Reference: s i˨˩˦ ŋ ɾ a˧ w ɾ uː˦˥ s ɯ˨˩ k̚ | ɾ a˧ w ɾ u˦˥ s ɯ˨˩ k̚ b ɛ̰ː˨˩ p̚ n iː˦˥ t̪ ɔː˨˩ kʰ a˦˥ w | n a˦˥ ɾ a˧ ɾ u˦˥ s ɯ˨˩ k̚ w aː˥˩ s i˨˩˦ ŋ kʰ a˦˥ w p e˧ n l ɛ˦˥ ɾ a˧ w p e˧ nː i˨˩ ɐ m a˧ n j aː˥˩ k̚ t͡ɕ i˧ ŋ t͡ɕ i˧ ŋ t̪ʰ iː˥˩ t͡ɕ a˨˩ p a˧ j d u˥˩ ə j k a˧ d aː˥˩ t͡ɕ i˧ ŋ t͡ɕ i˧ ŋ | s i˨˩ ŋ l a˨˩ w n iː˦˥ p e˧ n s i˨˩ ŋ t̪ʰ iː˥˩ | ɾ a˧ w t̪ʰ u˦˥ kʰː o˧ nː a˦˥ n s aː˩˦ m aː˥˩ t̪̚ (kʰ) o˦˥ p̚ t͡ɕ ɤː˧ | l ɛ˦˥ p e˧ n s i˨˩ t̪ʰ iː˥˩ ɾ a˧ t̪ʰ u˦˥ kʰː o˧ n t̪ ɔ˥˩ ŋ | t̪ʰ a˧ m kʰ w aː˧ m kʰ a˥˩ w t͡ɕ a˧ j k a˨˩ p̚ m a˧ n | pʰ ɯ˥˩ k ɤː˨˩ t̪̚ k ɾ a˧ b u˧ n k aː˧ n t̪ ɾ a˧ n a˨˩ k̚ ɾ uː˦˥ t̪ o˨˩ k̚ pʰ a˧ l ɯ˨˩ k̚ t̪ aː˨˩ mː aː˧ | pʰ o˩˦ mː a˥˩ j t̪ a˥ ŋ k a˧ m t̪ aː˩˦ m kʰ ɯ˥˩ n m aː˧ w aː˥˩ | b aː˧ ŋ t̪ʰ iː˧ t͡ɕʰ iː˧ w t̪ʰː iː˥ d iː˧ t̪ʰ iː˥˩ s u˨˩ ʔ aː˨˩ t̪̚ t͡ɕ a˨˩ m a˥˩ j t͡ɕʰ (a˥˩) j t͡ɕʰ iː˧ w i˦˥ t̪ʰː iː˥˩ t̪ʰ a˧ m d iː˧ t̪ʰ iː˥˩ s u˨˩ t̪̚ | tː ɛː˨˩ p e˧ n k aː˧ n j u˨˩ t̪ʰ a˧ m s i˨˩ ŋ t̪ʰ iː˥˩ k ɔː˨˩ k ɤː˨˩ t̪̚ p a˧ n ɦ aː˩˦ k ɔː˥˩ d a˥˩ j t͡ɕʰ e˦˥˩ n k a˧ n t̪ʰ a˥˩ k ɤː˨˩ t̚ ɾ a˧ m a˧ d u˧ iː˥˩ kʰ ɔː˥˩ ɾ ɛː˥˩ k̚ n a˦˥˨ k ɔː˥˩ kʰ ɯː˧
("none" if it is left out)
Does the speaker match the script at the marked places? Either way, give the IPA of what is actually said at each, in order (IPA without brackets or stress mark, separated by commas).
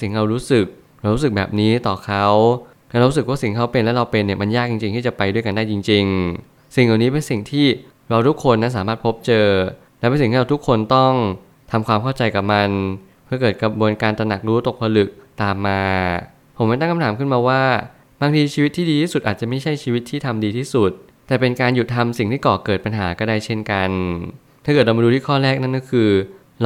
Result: pʰ, a˥˩